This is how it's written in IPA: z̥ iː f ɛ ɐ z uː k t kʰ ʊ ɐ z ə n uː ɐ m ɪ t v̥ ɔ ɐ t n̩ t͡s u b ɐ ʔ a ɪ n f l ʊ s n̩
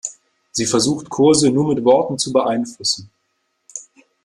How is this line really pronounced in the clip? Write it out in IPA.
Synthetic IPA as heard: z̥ iː f ɛ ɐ z uː x t kʰ ʊ ɐ z ə n uː ɐ m ɪ t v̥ ɔ ɐ t n̩ t͡s u b ə ʔ a ɪ n f l ʊ s n̩